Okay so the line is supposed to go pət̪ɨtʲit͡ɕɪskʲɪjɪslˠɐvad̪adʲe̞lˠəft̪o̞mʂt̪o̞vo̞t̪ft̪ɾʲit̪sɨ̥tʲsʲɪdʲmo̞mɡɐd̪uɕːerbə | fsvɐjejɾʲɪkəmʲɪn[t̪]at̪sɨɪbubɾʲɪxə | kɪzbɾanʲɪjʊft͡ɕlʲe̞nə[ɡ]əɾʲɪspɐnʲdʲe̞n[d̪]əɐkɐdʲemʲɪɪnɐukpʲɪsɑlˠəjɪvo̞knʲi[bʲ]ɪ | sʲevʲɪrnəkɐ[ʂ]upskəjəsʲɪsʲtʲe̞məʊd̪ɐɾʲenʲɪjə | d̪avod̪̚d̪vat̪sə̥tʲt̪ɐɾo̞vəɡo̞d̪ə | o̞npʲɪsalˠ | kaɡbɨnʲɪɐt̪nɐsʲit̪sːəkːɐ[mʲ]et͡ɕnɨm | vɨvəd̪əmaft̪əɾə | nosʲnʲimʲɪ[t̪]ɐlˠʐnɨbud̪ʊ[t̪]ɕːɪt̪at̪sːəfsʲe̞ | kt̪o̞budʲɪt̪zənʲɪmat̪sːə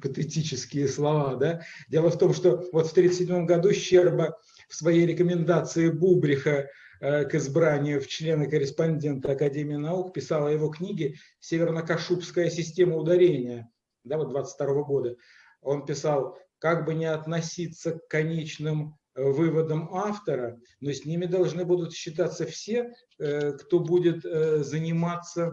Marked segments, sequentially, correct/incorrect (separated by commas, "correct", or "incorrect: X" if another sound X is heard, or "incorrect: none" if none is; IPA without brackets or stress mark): incorrect: d̪, incorrect: k, incorrect: t̪, incorrect: ɡʲ, correct, incorrect: nʲ, incorrect: d̪, correct